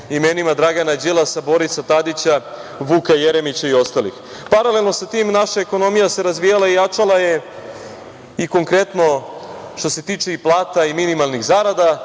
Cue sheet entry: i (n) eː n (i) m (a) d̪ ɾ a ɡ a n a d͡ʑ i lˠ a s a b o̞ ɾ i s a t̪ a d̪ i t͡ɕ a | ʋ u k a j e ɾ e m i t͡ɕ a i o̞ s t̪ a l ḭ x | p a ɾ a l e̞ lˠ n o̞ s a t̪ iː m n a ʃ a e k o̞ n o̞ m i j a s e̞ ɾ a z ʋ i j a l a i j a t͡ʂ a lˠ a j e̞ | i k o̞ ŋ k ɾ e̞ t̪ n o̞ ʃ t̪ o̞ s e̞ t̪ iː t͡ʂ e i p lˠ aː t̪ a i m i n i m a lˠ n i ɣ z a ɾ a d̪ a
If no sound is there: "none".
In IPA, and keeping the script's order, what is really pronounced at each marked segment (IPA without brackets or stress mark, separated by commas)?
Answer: m, i, a